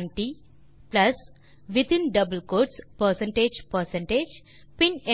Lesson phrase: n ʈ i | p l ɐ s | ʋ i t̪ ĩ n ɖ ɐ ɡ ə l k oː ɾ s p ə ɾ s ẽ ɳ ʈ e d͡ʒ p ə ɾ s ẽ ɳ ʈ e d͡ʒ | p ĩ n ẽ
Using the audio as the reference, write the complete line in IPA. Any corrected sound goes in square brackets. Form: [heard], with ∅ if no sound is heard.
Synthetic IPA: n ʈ i | p l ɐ s | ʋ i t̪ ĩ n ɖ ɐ [b] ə l k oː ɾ s p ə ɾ s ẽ ɳ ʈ e d͡ʒ p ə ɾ s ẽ ɳ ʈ e d͡ʒ | p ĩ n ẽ

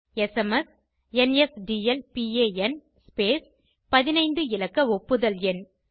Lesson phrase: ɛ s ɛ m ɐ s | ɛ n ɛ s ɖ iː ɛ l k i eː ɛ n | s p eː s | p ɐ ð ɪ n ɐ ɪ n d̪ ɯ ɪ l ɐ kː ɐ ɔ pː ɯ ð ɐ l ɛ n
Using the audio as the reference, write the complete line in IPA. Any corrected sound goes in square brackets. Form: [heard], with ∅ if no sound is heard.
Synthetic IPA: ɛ s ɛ m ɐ s | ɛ n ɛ s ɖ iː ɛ l [p] i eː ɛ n | s p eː s | p ɐ ð ɪ n ɐ ɪ n d̪ ɯ ɪ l ɐ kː ɐ ɔ pː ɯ ð ɐ l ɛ n

